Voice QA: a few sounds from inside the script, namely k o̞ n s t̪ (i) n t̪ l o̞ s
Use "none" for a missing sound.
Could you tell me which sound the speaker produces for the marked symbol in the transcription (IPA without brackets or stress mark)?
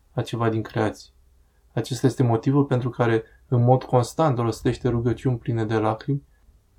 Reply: a